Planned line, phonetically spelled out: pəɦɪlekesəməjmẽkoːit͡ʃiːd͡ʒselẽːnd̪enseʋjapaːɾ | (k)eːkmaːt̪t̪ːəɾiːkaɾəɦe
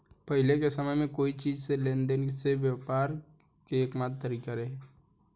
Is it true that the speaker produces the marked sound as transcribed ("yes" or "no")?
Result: yes